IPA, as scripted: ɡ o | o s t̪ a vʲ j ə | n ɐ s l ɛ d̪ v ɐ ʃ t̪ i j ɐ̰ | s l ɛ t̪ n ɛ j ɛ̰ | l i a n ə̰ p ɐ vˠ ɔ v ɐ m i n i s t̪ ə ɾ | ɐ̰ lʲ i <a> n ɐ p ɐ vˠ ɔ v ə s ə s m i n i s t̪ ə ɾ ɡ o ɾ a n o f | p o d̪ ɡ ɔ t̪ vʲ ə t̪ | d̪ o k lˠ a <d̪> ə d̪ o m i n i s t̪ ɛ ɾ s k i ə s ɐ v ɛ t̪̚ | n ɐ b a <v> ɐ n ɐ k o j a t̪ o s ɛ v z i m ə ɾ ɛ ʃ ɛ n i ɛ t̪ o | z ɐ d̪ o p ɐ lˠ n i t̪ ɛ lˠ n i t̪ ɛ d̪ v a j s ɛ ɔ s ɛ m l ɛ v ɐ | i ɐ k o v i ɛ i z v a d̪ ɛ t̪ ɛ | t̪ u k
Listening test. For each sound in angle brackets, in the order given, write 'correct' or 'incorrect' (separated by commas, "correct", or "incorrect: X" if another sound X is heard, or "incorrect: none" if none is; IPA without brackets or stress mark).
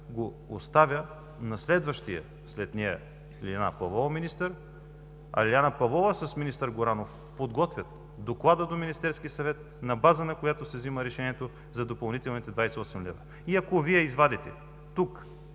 correct, correct, incorrect: z